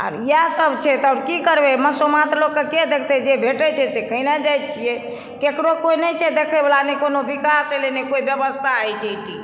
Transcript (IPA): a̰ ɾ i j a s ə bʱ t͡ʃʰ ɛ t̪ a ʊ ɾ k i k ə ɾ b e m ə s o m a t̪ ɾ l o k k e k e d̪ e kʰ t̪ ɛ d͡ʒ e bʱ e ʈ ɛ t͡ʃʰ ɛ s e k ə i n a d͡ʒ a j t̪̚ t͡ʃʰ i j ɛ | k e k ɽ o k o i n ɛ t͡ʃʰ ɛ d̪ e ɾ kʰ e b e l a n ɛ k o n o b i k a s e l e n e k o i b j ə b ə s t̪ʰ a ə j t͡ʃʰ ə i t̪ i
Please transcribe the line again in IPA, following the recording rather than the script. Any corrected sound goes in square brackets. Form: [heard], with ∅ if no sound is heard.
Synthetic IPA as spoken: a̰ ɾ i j a s ə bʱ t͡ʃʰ ɛ t̪ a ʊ ɾ k i k ə ɾ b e m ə s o m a t̪ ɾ l o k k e k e d̪ e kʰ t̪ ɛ d͡ʒ e bʱ e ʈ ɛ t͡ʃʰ ɛ s e k ə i n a d͡ʒ a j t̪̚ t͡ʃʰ i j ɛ | k e k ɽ o k o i n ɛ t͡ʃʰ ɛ d̪ e [∅] kʰ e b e l a n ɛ k o n o b i k a s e l e n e k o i b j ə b ə s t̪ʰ a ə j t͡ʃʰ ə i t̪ i